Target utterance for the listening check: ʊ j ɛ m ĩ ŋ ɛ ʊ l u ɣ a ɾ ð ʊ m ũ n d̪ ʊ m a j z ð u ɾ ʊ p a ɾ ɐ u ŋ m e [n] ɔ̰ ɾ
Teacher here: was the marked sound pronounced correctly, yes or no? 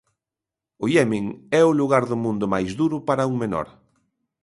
yes